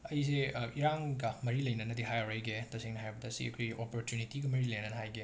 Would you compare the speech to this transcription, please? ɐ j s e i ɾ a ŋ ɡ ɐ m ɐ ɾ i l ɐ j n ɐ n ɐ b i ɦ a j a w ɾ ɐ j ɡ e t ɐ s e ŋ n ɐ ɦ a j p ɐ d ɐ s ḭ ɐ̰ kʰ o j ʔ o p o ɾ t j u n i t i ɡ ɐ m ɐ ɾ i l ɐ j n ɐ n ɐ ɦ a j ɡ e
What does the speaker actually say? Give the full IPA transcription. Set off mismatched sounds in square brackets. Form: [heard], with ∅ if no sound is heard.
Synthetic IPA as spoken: ɐ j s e i ɾ a ŋ ɡ ɐ m ɐ ɾ i l ɐ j n ɐ n ɐ [d] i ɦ a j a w ɾ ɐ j ɡ e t ɐ s e ŋ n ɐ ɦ a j [b] ɐ d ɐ s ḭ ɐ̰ kʰ o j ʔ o p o ɾ t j u n i t i ɡ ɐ m ɐ ɾ i l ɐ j n ɐ n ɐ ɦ a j ɡ e